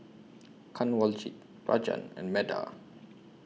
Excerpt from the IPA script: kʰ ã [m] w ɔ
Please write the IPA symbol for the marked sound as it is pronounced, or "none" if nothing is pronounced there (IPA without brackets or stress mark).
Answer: n